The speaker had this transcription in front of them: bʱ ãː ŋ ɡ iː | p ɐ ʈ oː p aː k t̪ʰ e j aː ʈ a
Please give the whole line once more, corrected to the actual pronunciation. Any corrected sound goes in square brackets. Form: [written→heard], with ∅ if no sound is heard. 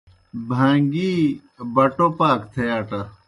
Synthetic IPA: bʱ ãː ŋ ɡ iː | [p→b] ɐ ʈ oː p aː k t̪ʰ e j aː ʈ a